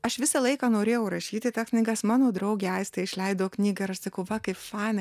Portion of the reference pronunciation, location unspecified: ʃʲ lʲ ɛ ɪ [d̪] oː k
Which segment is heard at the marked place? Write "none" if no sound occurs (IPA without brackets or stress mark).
d̪